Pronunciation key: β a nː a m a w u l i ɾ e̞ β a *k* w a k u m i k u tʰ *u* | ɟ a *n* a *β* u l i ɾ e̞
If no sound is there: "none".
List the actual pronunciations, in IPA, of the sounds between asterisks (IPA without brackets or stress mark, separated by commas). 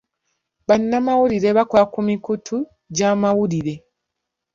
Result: k, u, m, w